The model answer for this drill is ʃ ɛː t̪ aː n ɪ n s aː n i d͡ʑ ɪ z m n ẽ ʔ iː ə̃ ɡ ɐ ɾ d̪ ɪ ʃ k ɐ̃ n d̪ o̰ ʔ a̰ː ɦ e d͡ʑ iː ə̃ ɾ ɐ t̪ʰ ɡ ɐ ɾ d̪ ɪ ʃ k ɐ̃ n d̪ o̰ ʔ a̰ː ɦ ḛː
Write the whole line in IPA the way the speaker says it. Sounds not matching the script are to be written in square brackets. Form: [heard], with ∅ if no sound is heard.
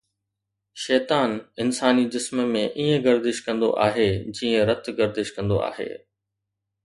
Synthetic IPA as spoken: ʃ ɛː t̪ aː n ɪ n s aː n i d͡ʑ ɪ [s] m [m] ẽ ʔ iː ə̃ ɡ ɐ ɾ d̪ ɪ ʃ k ɐ̃ n d̪ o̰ ʔ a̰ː ɦ e d͡ʑ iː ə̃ ɾ ɐ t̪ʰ ɡ ɐ ɾ d̪ ɪ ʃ k ɐ̃ n d̪ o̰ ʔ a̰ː ɦ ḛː

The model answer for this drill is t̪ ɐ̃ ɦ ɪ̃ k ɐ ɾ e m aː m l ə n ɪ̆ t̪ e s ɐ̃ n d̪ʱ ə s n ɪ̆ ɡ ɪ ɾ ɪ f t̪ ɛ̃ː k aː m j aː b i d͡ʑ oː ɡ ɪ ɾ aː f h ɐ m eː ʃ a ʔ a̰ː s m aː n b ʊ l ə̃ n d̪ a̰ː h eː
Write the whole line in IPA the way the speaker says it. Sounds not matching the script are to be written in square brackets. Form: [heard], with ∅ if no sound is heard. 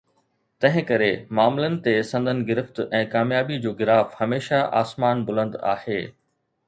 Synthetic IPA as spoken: t̪ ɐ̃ ɦ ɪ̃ k ɐ ɾ e m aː m l ə n ɪ̆ t̪ e s ɐ̃ n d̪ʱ ə [∅] n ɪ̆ ɡ ɪ ɾ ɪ f t̪ ɛ̃ː k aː m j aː b i d͡ʑ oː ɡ ɪ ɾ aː f h ɐ m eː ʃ a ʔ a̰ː s m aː n b ʊ l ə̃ n d̪ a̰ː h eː

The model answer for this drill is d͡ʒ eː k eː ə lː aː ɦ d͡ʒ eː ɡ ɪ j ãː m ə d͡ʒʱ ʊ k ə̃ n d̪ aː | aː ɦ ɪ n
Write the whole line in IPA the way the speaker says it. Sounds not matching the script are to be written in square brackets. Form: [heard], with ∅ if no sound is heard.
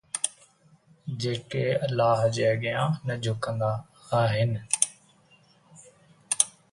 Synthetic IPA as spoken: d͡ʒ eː k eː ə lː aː ɦ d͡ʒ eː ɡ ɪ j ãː [n] ə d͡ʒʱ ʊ k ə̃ n d̪ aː | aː ɦ ɪ n

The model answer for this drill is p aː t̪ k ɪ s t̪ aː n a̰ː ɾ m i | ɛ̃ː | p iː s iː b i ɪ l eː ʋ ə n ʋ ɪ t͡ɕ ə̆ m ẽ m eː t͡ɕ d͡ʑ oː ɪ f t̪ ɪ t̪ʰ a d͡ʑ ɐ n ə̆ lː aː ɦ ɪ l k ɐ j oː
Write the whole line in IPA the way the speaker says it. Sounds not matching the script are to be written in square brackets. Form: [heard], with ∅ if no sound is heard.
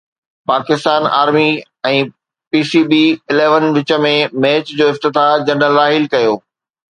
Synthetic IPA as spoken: p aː [∅] k ɪ s t̪ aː n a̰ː ɾ m i | ɛ̃ː | p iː s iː b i ɪ l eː ʋ ə n ʋ ɪ t͡ɕ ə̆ m ẽ m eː t͡ɕ d͡ʑ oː ɪ f t̪ ɪ [t̪] a d͡ʑ ɐ n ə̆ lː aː ɦ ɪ l k ɐ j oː

